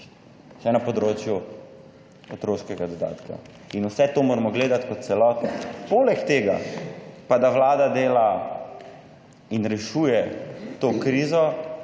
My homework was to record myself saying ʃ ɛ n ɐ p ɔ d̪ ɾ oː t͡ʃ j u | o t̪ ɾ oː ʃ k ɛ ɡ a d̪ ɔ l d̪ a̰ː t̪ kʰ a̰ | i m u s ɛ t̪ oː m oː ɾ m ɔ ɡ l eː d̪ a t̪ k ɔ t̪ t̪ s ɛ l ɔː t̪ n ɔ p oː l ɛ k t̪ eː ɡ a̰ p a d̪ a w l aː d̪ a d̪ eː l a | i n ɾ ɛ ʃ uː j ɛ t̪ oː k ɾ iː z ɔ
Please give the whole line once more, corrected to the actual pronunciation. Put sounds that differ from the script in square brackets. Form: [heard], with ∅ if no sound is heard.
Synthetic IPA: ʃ ɛ n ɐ p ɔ d̪ ɾ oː t͡ʃ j u | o t̪ ɾ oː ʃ k ɛ ɡ a d̪ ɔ [∅] d̪ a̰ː t̪ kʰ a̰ | i [n] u s ɛ t̪ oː m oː ɾ m ɔ ɡ l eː d̪ a t̪ k ɔ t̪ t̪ s ɛ l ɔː t̪ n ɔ p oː l ɛ k t̪ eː ɡ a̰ p a d̪ a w l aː d̪ a d̪ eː l a | i n ɾ ɛ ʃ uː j ɛ t̪ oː k ɾ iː z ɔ

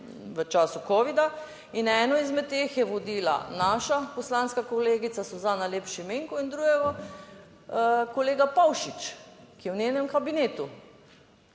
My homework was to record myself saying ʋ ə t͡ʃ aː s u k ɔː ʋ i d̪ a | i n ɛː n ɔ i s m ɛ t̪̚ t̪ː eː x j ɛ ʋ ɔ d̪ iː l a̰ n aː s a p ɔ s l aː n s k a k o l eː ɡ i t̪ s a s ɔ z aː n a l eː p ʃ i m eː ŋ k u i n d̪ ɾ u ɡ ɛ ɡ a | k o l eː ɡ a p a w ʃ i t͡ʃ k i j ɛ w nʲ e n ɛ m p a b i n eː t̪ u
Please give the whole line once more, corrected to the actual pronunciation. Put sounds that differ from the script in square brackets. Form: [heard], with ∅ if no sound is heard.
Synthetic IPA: ʋ ə t͡ʃ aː s u k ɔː ʋ i d̪ a | i n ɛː n ɔ i [z] m ɛ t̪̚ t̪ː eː x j ɛ ʋ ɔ d̪ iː l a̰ n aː [ʃ] a p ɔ s l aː n s k a k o l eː ɡ i t̪ s a s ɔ z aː n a l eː p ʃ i m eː ŋ k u i n d̪ ɾ u ɡ ɛ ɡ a | k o l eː ɡ a p a w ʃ i t͡ʃ k i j ɛ w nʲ e n ɛ m [k] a b i n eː t̪ u

